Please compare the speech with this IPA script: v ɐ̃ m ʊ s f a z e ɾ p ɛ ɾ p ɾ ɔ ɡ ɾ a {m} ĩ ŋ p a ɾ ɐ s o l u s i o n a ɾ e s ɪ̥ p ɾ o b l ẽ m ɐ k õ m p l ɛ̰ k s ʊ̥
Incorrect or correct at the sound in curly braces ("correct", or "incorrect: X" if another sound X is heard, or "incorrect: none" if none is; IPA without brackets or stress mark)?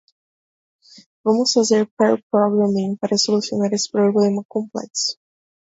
correct